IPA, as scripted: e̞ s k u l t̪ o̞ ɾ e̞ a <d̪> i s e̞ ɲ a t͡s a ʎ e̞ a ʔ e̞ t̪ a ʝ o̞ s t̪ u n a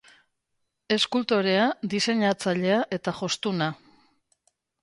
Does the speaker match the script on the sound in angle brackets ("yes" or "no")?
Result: yes